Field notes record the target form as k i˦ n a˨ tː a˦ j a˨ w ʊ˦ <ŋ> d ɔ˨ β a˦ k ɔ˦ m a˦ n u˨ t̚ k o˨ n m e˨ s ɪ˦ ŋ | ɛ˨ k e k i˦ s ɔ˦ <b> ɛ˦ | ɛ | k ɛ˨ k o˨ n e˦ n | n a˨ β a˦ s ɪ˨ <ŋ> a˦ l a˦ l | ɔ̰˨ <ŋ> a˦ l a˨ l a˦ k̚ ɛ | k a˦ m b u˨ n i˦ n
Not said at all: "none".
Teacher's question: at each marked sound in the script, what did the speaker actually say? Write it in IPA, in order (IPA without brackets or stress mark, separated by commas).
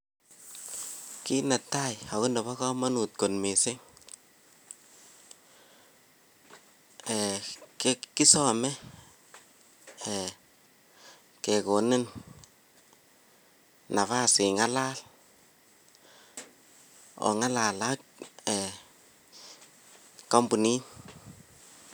n, m, ŋ, ŋ